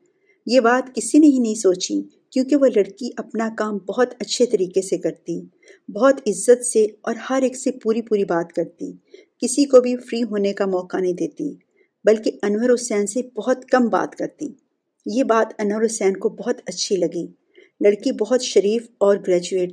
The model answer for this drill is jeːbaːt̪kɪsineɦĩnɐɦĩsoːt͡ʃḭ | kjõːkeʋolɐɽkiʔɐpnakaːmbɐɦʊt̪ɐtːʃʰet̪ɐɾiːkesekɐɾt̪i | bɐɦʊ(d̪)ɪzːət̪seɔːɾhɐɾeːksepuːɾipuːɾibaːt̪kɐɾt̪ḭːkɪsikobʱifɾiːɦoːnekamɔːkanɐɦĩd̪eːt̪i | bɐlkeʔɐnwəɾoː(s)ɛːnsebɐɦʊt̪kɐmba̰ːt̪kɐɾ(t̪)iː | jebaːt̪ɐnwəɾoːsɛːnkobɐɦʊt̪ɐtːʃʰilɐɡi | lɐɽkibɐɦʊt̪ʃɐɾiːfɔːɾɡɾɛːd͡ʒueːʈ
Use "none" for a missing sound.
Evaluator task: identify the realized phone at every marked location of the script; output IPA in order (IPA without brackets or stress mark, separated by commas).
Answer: t̪, s, t̪